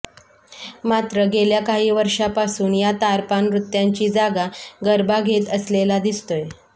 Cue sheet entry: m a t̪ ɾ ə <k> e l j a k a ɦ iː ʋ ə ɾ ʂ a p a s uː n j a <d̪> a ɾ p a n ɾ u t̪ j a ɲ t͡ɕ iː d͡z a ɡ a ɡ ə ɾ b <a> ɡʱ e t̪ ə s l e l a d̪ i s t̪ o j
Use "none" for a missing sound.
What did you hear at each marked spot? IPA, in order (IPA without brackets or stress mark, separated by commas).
ɡ, t̪, a